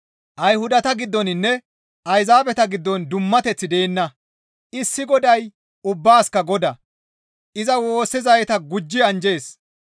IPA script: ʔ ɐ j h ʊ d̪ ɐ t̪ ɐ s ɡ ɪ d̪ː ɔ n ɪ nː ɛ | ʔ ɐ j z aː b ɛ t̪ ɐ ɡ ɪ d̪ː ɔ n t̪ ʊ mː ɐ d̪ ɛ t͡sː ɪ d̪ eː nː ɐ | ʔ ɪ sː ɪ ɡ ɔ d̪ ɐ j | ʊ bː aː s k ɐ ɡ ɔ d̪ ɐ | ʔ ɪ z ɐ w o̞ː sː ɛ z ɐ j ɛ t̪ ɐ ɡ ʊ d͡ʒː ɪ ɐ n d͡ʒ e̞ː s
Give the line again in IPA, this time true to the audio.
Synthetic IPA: ʔ ɐ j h ʊ d̪ ɐ t̪ ɐ ɡ ɪ d̪ː ɔ n ɪ nː ɛ | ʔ ɐ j z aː b ɛ t̪ ɐ ɡ ɪ d̪ː ɔ n d̪ ʊ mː ɐ t̪ ɛ t͡sː ɪ d̪ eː nː ɐ | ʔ ɪ sː ɪ ɡ ɔ d̪ ɐ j | ʊ bː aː s k ɐ ɡ ɔ d̪ ɐ | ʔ ɪ z ɐ w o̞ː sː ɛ z ɐ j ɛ t̪ ɐ ɡ ʊ d͡ʒː ɪ ɐ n d͡ʒ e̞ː s

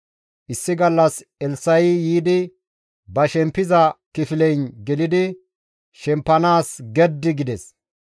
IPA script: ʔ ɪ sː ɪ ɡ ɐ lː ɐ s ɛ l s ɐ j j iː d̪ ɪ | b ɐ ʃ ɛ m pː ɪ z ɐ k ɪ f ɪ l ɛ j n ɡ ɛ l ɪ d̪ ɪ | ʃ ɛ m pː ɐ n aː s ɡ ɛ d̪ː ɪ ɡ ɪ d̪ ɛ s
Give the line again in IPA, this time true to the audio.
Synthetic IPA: ʔ ɪ sː ɪ ɡ ɐ lː ɐ s ɛ l s ɐ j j iː d̪ ɪ | b ɐ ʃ ɛ m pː ɪ z ɐ k ɪ f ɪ l ɛ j n ɡ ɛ l ɪ d̪ ɪ | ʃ ɛ m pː ɐ n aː s ɡ ɛ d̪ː ɪ ɡ ɪ d̪ ɛ s

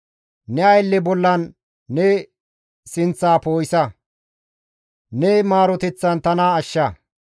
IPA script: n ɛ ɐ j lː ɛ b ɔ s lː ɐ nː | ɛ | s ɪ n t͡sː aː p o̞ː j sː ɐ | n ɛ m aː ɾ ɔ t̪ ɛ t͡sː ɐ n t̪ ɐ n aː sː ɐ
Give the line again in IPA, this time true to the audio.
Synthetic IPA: n ɛ ɐ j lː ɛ b ɔ lː ɐ nː | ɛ | s ɪ n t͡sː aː p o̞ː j s ɐ | n ɛ m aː ɾ ɔ t̪ ɛ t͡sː ɐ n t̪ ɐ n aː ʃː ɐ

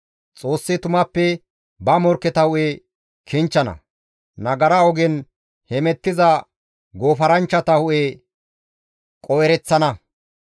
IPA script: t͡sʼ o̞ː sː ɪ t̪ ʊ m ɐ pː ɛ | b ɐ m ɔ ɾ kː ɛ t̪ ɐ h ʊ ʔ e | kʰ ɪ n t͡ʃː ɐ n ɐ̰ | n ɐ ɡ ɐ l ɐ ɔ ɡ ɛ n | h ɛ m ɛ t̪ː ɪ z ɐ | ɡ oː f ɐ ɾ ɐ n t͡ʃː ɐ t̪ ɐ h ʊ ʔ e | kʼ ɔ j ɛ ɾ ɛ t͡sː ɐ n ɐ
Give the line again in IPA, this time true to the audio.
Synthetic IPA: t͡sʼ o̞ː sː ɪ t̪ ʊ m ɐ pː ɛ | b ɐ m ɔ ɾ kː ɛ t̪ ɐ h ʊ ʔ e | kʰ ɪ n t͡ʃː ɐ n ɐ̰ | n ɐ ɡ ɐ ɾ ɐ ɔ ɡ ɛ n | h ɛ m ɛ t̪ː ɪ z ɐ | ɡ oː f ɐ ɾ ɐ n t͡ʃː ɐ t̪ ɐ h ʊ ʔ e | kʼ ɔ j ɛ ɾ ɛ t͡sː ɐ n ɐ

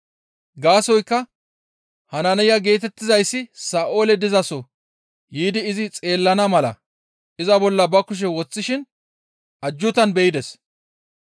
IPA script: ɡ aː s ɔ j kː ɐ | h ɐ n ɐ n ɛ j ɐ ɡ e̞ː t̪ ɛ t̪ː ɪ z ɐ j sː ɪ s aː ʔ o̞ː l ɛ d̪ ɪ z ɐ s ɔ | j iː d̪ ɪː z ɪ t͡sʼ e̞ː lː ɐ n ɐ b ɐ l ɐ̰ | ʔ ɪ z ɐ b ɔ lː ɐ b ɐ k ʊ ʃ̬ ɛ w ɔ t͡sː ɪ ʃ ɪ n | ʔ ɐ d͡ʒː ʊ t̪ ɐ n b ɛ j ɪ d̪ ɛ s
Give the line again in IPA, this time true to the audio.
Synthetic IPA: ɡ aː s ɔ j kː ɐ | h ɐ n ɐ n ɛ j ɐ ɡ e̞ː t̪ ɛ t̪ː ɪ z ɐ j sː ɪ s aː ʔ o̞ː l ɛ d̪ ɪ z ɐ s ɔ | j iː d̪ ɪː z ɪ t͡sʼ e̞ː lː ɐ n ɐ m ɐ l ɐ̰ | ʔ ɪ z ɐ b ɔ lː ɐ b ɐ k ʊ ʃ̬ ɛ w ɔ t͡sː ɪ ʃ ɪ n | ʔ ɐ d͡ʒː ʊ t̪ ɐ n b ɛ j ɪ d̪ ɛ s

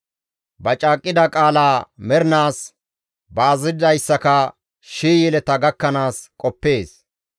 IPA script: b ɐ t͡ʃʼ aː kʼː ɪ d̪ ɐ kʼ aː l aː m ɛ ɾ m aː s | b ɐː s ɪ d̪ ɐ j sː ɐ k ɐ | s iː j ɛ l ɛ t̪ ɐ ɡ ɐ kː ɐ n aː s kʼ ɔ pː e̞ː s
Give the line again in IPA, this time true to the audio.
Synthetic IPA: b ɐ t͡ʃʼ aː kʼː ɪ d̪ ɐ kʼ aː l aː m ɛ ɾ n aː s | b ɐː z ɪ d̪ ɐ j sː ɐ k ɐ | ʃ iː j ɛ l ɛ t̪ ɐ ɡ ɐ kː ɐ n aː s kʼ ɔ pː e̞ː s

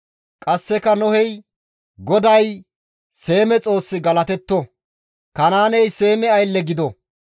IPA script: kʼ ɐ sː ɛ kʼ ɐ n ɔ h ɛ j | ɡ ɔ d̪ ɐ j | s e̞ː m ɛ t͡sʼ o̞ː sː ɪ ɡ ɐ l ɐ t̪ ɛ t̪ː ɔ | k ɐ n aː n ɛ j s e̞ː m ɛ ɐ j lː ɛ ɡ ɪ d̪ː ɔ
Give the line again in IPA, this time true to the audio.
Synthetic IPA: kʼ ɐ sː ɛ k ɐ n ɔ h ɛ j | ɡ ɔ d̪ ɐ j | s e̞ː m ɛ t͡sʼ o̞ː sː ɪ ɡ ɐ l ɐ t̪ ɛ t̪ː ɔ | k ɐ n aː n ɛ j s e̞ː m ɛ ɐ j lː ɛ ɡ ɪ d̪ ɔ

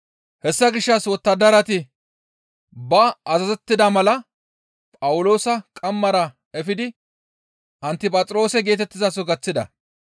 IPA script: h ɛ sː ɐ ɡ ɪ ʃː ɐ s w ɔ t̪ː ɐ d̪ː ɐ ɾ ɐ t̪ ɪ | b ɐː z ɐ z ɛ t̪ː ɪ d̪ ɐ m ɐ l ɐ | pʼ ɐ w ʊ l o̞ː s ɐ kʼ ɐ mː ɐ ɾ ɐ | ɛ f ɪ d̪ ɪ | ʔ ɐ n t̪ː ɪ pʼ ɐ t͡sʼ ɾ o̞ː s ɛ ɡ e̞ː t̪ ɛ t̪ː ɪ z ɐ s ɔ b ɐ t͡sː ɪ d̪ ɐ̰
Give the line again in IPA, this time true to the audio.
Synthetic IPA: h ɛ sː ɐ ɡ ɪ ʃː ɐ s w ɔ t̪ː ɐ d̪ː ɐ ɾ ɐ t̪ ɪ | b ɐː z ɐ z ɛ t̪ː ɪ d̪ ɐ m ɐ l ɐ | pʼ ɐ w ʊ l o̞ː s ɐ kʼ ɐ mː ɐ ɾ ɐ | ɛ f ɪ d̪ ɪ | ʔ ɐ n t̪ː ɪ pʼ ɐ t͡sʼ ɾ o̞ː s ɛ ɡ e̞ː t̪ ɛ t̪ː ɪ z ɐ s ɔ ɡ ɐ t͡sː ɪ d̪ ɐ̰

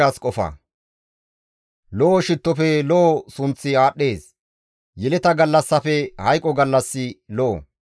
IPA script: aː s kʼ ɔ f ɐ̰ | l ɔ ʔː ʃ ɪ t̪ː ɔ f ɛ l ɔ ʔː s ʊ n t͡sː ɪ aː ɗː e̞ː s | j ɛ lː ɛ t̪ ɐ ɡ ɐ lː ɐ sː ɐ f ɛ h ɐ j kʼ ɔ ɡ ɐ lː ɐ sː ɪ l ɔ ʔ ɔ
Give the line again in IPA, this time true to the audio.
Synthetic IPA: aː s kʼ ɔ f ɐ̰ | l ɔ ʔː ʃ ɪ t̪ː ɔ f ɛ l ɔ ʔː s ʊ n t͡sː ɪ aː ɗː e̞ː s | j ɛ l ɛ t̪ ɐ ɡ ɐ lː ɐ sː ɐ f ɛ h ɐ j kʼ ɔ ɡ ɐ lː ɐ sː ɪ l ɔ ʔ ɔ

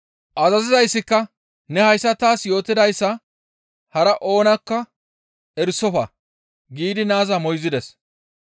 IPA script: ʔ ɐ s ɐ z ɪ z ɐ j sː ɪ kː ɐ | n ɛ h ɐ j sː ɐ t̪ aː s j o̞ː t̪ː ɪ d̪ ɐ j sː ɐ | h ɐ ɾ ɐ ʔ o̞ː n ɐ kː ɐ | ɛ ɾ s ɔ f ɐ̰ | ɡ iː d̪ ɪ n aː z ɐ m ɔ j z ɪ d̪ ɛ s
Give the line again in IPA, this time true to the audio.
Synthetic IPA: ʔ ɐ z ɐ z ɪ z ɐ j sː ɪ kː ɐ | n ɛ h ɐ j sː ɐ t̪ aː s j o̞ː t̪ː ɪ d̪ ɐ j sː ɐ | h ɐ ɾ ɐ ʔ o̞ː n ɐ kː ɐ | ɛ ɾ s ɔ f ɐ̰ | ɡ iː d̪ ɪ n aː z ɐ m ɔ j z ɪ d̪ ɛ s

